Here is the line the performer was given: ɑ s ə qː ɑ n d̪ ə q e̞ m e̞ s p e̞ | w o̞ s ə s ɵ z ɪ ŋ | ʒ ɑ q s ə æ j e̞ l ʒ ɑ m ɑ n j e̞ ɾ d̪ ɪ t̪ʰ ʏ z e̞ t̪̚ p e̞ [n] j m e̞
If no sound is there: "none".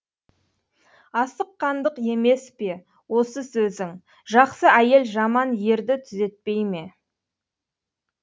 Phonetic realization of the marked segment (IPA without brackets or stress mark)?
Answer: none